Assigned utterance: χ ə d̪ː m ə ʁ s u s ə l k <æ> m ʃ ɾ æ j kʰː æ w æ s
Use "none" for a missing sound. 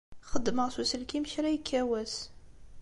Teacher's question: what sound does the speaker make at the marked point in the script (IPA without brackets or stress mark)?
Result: i